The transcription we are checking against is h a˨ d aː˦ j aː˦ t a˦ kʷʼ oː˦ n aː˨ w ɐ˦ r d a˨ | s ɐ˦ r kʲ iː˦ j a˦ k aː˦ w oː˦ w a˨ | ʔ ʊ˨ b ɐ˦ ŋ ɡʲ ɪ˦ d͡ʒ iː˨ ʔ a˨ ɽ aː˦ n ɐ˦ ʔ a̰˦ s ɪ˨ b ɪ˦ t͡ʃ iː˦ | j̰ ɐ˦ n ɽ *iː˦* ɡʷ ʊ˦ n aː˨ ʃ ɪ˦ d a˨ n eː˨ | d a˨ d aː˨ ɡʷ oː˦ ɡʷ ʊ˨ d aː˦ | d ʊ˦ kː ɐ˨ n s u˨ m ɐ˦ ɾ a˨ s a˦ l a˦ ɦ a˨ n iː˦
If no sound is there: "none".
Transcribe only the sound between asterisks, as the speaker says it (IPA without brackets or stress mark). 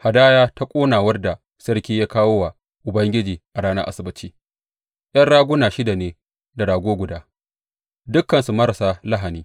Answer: aː˦